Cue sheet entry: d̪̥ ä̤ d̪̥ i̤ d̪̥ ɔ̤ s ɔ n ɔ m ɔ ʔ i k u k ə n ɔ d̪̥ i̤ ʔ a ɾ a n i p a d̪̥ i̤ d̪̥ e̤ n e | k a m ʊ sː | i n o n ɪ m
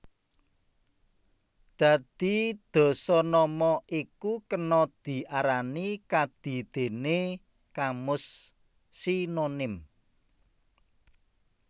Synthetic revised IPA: d̪̥ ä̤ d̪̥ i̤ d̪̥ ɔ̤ s ɔ n ɔ m ɔ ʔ i k u k ə n ɔ d̪̥ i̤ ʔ a ɾ a n i k a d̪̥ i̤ d̪̥ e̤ n e | k a m ʊ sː | i n o n ɪ m